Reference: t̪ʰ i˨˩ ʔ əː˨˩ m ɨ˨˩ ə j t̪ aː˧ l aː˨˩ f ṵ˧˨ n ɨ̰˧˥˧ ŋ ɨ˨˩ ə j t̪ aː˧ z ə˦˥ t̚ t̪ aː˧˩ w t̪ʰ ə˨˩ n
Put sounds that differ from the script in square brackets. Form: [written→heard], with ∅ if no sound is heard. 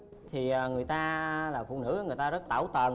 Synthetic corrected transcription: t̪ʰ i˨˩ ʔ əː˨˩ [m→ŋ] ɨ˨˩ ə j t̪ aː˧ l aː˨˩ f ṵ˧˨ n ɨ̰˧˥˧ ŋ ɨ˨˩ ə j t̪ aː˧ z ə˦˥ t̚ t̪ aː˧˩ w [t̪ʰ→t̪] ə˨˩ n